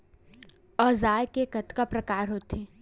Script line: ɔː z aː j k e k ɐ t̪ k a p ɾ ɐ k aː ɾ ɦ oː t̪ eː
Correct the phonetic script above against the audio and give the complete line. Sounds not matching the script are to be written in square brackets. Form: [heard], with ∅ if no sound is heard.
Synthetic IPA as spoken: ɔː z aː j k e k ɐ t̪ k a p ɾ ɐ k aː ɾ ɦ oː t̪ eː